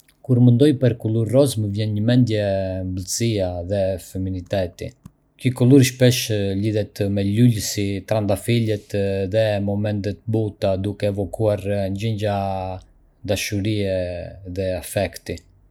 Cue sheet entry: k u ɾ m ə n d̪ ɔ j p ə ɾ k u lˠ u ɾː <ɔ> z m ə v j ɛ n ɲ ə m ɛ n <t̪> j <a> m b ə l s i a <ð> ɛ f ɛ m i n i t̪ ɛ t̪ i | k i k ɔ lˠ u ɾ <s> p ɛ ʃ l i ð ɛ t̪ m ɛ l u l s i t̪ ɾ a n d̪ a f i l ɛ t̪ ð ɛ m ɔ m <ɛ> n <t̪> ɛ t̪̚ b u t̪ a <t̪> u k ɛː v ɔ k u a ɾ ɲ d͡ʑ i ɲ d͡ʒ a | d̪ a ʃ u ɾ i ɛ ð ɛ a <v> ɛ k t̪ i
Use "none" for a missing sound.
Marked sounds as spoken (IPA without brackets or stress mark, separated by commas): ɔ, d̪, ɛ, ð, ʃ, ɛ, t̪, d̪, f